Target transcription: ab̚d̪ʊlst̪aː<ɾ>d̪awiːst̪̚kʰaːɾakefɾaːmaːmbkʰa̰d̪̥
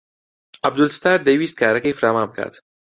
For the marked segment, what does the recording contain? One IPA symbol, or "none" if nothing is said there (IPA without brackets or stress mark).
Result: ɾ